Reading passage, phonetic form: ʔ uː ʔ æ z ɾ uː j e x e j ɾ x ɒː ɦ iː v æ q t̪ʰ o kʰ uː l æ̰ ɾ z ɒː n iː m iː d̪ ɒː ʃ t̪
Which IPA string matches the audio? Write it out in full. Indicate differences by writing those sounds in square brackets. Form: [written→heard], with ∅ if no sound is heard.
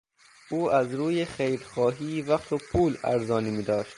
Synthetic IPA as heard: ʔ uː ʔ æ z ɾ uː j e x e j ɾ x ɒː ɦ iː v æ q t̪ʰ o [kʰ→pʰ] uː l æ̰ ɾ z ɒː n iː m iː d̪ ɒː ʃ t̪